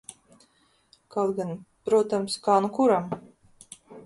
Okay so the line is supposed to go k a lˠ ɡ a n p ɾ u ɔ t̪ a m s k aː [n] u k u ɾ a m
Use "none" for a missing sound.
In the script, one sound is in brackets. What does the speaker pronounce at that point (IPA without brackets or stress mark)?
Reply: n